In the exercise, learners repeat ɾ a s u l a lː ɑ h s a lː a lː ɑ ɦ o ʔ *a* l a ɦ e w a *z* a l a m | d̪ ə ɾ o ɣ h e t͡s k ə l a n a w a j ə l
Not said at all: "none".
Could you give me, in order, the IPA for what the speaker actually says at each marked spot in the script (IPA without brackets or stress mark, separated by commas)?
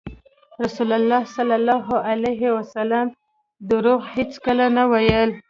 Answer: a, s